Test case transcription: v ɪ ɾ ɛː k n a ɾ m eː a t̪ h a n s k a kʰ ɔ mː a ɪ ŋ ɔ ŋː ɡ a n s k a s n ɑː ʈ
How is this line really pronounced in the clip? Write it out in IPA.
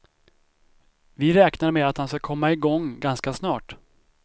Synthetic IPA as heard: v ɪ ɾ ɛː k n a ɾ m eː a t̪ h a n s k a kʰ ɔ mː a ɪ ɡ ɔ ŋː ɡ a n s k a s n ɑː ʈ